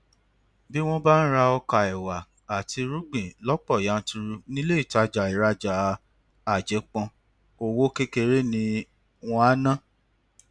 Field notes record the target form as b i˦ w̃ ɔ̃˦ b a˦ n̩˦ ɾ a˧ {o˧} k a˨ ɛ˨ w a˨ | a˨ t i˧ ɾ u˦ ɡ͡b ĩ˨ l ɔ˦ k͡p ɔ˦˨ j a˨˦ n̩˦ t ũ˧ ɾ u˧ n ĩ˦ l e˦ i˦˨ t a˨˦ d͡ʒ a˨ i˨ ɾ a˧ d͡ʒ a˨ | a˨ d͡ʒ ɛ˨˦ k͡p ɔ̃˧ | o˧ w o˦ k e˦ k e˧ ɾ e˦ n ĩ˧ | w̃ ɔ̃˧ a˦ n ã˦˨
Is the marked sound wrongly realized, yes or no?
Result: yes